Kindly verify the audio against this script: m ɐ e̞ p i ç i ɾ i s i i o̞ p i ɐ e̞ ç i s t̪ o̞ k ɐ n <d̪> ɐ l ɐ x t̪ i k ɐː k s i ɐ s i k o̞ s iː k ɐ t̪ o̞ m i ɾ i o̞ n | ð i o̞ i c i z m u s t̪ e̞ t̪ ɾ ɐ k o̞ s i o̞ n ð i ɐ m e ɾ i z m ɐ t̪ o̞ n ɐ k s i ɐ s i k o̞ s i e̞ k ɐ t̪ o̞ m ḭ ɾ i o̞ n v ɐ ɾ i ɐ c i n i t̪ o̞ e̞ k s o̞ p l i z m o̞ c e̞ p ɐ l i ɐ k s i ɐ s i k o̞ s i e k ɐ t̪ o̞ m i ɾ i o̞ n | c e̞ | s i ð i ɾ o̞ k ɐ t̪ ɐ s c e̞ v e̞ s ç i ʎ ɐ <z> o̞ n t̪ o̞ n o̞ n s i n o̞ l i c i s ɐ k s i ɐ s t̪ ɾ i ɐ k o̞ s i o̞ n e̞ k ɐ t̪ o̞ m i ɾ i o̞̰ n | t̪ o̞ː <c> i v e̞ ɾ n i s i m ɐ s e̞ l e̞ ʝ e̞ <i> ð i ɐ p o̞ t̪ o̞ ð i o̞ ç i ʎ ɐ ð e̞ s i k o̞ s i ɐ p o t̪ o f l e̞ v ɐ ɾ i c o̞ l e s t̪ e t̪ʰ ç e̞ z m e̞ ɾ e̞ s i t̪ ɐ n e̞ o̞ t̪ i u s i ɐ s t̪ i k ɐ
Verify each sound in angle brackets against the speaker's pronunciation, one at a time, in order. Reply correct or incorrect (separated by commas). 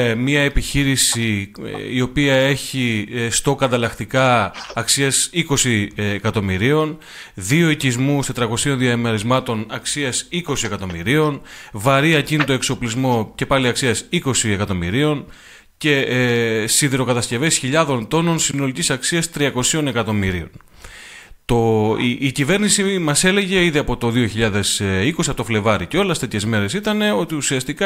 correct, incorrect, correct, correct